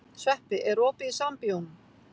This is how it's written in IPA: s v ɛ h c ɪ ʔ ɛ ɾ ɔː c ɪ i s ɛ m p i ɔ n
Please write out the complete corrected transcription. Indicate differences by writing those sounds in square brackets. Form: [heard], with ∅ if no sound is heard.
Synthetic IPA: s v ɛ h [p] ɪ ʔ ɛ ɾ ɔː [p] ɪ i s [a] m p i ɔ n